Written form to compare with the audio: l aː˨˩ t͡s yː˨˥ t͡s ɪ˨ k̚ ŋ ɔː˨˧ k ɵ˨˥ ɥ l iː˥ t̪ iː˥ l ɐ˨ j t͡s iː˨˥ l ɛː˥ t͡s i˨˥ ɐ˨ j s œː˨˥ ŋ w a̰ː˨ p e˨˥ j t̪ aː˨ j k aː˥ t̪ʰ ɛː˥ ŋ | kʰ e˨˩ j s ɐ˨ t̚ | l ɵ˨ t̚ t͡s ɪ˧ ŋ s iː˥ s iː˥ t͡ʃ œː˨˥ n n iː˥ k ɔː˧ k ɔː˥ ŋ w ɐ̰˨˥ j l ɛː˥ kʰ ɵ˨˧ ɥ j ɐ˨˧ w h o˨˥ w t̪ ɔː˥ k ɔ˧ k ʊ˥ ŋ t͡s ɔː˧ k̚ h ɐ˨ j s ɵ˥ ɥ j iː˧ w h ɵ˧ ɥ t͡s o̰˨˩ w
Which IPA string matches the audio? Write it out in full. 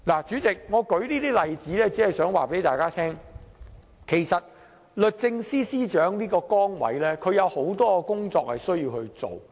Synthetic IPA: l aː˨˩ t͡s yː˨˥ t͡s ɪ˨ k̚ ŋ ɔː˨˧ k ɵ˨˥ ɥ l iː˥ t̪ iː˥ l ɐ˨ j t͡s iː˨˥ l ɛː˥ t͡s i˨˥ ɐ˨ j s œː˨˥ ŋ w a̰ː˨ p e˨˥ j t̪ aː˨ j k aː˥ t̪ʰ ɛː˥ ŋ | kʰ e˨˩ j s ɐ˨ t̚ | l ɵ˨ t̚ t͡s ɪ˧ ŋ s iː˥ s iː˥ t͡ʃ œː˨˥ ŋ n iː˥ k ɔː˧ k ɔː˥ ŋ w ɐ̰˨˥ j l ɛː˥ kʰ ɵ˨˧ ɥ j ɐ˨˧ w h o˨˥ w t̪ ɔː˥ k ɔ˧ k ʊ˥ ŋ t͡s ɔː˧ k̚ h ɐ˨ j s ɵ˥ ɥ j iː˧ w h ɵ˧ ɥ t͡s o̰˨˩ w

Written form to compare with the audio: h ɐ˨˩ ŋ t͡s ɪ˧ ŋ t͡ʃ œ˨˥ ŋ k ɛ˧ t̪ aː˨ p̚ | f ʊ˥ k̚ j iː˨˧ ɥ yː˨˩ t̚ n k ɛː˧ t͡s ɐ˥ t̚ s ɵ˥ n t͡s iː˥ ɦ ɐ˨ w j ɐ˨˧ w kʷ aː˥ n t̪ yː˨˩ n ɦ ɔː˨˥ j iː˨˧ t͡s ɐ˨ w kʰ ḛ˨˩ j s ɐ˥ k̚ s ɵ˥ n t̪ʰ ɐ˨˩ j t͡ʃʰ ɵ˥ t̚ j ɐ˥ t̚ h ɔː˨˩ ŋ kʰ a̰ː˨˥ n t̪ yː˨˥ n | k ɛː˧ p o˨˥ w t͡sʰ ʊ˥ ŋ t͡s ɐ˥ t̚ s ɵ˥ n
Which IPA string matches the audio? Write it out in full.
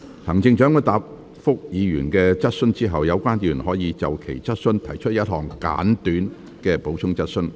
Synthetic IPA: h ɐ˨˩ ŋ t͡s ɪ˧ ŋ t͡ʃ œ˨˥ ŋ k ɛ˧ t̪ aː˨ p̚ | f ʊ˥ k̚ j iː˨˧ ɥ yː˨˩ n k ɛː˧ t͡s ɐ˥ t̚ s ɵ˥ n t͡s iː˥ ɦ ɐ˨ w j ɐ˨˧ w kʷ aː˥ n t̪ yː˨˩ n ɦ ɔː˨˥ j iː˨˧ t͡s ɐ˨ w kʰ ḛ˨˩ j t͡s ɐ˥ t̚ s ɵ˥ n t̪ʰ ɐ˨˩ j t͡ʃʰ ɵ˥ t̚ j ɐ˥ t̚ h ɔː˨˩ ŋ k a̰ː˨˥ n t̪ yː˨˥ n | k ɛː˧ p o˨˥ w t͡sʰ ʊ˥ ŋ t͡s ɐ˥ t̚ s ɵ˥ n

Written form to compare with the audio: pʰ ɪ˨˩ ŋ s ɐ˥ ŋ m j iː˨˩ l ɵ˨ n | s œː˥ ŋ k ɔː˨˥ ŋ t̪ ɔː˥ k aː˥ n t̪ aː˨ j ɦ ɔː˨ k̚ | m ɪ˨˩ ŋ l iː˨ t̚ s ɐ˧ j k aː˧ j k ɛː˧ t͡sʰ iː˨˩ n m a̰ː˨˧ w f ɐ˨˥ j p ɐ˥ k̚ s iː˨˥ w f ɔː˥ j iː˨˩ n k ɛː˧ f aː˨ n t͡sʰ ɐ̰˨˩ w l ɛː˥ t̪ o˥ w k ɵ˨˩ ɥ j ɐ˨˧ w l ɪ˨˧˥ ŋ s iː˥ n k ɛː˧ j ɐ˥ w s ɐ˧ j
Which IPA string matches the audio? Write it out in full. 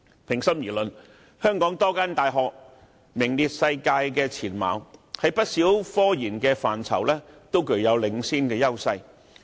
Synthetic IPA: pʰ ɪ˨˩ ŋ s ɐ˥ m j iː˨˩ l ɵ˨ n | h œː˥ ŋ k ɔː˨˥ ŋ t̪ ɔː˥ k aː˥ n t̪ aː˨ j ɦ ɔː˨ k̚ | m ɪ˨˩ ŋ l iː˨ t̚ s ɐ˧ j k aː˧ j k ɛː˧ t͡sʰ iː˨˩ n m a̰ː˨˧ w h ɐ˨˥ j p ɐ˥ t̚ s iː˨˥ w f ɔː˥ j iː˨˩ n k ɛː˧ f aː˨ n t͡sʰ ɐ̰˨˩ w l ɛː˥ t̪ o˥ w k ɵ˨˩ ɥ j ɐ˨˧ w l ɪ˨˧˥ ŋ s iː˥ n k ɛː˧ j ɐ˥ w s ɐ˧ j

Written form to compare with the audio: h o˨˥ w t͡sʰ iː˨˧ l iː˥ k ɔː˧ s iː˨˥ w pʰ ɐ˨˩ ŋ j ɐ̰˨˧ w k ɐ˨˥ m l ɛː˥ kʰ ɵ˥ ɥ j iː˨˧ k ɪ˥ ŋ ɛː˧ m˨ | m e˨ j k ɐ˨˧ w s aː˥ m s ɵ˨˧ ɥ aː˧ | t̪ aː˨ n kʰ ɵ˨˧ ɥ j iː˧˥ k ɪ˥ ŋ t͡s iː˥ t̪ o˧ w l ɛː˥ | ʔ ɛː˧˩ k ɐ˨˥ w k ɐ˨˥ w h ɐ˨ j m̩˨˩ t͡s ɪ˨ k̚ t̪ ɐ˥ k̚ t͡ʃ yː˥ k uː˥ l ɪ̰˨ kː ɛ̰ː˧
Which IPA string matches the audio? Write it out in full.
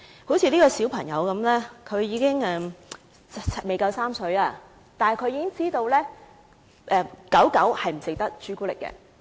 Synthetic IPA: h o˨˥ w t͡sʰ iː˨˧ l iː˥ k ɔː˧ s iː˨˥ w pʰ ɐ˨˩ ŋ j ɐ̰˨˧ w k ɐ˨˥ m l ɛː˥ kʰ ɵ˨˧ ɥ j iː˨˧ k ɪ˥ ŋ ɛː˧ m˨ | m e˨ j k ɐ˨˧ w s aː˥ m s ɵ˨˧ ɥ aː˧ | t̪ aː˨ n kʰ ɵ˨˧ ɥ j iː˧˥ k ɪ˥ ŋ t͡s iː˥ t̪ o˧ w l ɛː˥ | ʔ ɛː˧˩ k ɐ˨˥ w k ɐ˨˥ w h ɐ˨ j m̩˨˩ t͡s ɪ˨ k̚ t̪ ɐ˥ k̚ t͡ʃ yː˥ k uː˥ l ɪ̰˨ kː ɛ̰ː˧

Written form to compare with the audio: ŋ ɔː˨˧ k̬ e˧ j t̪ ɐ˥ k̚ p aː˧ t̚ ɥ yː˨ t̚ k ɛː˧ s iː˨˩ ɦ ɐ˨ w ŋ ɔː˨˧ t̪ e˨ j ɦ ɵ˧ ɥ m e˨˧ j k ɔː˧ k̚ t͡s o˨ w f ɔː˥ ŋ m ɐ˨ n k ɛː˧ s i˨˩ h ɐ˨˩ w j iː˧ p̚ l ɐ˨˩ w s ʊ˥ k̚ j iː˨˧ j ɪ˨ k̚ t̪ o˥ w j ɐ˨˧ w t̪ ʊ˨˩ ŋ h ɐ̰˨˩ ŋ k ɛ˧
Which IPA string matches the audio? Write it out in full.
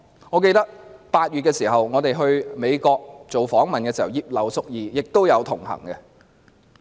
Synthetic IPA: ŋ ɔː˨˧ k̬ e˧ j t̪ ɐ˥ k̚ p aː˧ t̚ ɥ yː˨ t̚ k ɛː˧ s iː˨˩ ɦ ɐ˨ w ŋ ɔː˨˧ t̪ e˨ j ɦ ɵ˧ ɥ m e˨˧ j k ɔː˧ k̚ t͡s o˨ w f ɔː˨˥ ŋ m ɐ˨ n k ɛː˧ s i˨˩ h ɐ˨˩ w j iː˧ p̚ l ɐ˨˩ w s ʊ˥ k̚ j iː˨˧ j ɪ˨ k̚ t̪ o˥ w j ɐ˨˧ w t̪ʰ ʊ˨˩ ŋ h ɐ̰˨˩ ŋ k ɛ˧

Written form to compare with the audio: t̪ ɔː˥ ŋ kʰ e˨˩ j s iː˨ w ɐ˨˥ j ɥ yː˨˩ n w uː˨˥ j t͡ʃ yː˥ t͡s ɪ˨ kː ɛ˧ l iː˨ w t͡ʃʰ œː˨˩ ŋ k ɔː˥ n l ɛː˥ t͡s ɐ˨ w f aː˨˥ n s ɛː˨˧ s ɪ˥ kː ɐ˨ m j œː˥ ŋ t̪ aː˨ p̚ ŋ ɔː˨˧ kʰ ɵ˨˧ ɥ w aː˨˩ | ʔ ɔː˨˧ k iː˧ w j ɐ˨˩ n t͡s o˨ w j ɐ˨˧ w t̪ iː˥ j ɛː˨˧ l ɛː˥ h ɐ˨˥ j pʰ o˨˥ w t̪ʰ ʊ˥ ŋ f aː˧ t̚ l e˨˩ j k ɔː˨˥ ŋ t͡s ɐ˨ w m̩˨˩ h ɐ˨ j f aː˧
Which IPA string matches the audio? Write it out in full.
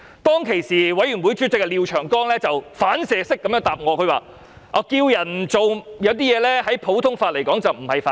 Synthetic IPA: t̪ ɔː˥ ŋ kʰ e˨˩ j s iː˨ w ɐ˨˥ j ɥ y˨˩ n w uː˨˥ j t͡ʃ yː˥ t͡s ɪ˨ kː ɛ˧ l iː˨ w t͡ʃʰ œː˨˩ ŋ k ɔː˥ ŋ l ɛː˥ t͡s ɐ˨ w f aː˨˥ n s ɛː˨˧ s ɪ˥ kː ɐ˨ m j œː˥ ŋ t̪ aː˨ p̚ ŋ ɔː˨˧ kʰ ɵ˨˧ ɥ w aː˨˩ | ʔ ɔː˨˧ k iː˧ w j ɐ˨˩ n t͡s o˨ w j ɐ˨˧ w t̪ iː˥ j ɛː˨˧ l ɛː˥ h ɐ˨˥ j pʰ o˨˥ w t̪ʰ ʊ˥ ŋ f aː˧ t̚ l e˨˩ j k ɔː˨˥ ŋ t͡s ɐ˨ w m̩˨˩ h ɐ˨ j f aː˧

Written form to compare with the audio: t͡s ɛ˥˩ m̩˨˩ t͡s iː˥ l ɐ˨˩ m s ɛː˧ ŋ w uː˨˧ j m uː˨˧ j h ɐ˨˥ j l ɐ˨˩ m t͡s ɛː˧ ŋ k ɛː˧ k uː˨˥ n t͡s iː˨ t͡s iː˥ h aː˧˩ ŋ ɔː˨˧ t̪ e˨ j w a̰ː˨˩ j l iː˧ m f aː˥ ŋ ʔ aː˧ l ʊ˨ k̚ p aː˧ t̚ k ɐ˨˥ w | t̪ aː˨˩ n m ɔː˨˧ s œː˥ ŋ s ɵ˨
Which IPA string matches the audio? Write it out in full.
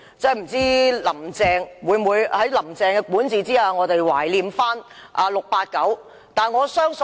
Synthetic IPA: t͡s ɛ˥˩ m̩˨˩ t͡s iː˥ l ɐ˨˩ m t͡s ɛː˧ ŋ w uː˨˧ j m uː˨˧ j h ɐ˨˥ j l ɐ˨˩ m t͡s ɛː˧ ŋ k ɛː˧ k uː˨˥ n t͡s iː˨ t͡s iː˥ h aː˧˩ ŋ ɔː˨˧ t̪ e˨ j w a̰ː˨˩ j l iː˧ m f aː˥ n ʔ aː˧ l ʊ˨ k̚ p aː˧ t̚ k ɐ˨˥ w | t̪ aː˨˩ n ŋ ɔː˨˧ s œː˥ ŋ s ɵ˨

